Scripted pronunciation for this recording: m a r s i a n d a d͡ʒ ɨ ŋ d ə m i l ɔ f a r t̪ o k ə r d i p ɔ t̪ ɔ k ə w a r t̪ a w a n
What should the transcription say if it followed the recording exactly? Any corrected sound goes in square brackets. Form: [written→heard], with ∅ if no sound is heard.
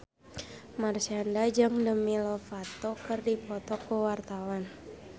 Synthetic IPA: m a r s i a n d a d͡ʒ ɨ ŋ d ə m i l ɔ f a [r→∅] t̪ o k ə r d i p ɔ t̪ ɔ k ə w a r t̪ a w a n